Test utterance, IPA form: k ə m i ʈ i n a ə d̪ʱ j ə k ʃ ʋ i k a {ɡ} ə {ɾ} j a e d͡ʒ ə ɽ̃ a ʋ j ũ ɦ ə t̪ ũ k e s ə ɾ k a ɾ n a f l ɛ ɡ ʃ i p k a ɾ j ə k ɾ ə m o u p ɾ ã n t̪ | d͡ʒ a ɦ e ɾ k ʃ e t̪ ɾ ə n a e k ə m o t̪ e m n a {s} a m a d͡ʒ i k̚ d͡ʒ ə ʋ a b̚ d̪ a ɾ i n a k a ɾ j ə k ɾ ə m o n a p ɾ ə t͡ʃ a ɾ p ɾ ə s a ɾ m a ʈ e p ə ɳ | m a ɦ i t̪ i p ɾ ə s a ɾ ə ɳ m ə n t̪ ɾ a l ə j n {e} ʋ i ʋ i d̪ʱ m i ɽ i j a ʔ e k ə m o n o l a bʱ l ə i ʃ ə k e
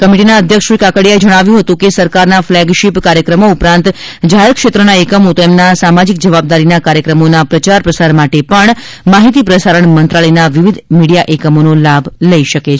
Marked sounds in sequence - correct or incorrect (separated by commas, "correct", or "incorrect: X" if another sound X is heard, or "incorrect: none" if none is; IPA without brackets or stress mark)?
incorrect: k, incorrect: ɽ, correct, incorrect: a